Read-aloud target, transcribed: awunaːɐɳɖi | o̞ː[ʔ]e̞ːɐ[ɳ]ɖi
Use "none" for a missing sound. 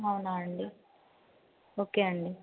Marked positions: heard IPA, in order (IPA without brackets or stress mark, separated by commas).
k, ɳ